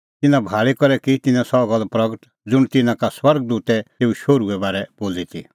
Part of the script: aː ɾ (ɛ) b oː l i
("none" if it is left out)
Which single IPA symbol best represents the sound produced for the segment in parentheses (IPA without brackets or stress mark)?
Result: ɛ